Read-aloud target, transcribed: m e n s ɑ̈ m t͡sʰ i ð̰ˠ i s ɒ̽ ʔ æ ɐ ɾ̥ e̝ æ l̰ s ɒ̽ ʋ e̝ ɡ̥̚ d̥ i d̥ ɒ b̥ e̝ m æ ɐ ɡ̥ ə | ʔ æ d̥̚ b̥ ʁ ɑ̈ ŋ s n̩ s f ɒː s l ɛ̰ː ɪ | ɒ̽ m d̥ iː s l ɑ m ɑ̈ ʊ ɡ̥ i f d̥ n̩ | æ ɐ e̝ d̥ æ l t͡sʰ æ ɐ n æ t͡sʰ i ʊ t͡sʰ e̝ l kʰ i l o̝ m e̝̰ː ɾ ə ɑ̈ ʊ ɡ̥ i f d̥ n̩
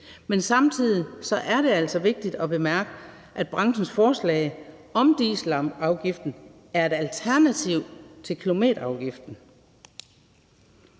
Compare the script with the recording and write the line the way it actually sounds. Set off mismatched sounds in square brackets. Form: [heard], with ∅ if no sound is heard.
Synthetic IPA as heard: m e n s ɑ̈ m t͡sʰ i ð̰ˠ i s ɒ̽ ʔ æ ɐ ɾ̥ e̝ æ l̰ s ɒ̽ ʋ e̝ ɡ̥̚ d̥ i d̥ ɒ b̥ e̝ m æ ɐ ɡ̥ ə | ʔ æ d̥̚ b̥ ʁ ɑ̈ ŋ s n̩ s f ɒː s l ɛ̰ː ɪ | ɒ̽ m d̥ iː s l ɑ m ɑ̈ ʊ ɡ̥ i f d̥ n̩ | æ ɐ e̝ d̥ æ l t͡sʰ æ ɐ n æ t͡sʰ i ʊ t͡sʰ e̝ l kʰ i l o̝ m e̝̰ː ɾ [ɐ] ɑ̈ ʊ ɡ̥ i f d̥ n̩